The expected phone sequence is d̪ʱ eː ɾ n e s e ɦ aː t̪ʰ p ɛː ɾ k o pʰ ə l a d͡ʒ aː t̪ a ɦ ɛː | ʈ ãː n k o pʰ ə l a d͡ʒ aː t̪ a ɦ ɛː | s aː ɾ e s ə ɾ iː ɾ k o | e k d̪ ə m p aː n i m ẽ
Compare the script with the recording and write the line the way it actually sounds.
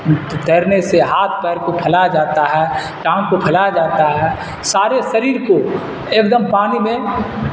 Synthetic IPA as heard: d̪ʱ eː ɾ n e s e ɦ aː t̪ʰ p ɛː ɾ k o pʰ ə l a d͡ʒ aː t̪ a ɦ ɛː | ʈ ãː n k o pʰ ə l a d͡ʒ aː t̪ a ɦ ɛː | s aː ɾ e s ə ɾ iː ɾ k o | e k d̪ ə m p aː n i m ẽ